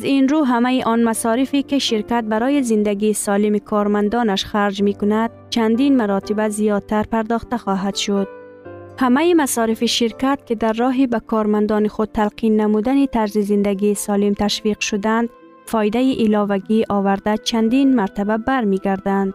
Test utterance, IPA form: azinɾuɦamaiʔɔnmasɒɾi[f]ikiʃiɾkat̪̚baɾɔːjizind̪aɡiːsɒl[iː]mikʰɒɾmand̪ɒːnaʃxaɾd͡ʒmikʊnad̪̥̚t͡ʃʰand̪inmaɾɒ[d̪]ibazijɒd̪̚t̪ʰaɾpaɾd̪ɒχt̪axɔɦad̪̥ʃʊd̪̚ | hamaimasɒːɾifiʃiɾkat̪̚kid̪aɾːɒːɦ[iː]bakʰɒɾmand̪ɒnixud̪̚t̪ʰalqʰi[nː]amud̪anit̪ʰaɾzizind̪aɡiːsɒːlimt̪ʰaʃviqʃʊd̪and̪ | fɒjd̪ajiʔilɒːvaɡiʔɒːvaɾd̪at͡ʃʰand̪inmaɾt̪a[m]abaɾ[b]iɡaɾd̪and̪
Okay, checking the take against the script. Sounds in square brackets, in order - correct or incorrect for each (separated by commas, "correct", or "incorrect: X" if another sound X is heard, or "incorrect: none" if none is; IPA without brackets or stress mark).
correct, incorrect: i, incorrect: t̪, incorrect: i, correct, incorrect: b, incorrect: m